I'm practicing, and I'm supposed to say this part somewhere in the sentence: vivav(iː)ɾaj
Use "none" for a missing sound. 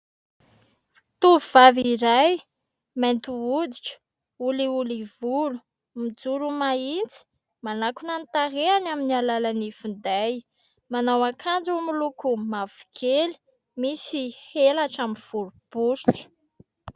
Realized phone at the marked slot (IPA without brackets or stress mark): i